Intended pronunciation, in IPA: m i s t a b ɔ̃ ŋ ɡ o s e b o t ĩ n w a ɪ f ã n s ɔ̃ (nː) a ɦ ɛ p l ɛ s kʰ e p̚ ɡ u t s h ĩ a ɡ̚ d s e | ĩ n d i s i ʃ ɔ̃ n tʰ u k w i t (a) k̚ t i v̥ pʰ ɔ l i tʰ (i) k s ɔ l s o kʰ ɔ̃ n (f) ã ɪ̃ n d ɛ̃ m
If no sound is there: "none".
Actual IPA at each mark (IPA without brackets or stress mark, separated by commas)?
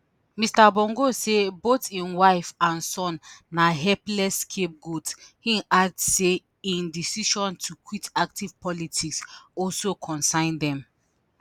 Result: nː, a, i, s